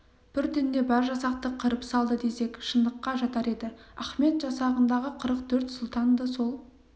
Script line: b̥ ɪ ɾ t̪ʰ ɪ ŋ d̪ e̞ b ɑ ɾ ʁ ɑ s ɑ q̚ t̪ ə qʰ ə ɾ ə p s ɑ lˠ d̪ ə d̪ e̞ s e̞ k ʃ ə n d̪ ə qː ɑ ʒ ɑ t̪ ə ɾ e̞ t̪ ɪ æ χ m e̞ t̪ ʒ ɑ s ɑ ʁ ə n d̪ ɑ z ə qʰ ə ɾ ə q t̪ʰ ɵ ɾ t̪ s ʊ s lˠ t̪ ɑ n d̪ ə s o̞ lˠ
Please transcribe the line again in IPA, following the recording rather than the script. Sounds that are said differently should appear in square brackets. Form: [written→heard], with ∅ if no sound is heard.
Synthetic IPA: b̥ ɪ ɾ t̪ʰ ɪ [ŋ→n] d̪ e̞ b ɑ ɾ [ʁ→ʒ] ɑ s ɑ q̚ t̪ ə qʰ ə ɾ ə p s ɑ lˠ d̪ ə d̪ e̞ s e̞ k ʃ ə n d̪ ə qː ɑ ʒ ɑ t̪ [ə→ɑ] ɾ e̞ [t̪→d̪] ɪ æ χ m e̞ t̪ ʒ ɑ s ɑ ʁ ə n d̪ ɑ [z→ʁ] ə qʰ ə ɾ ə q t̪ʰ ɵ ɾ t̪ s ʊ [s→∅] lˠ t̪ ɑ n d̪ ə s o̞ lˠ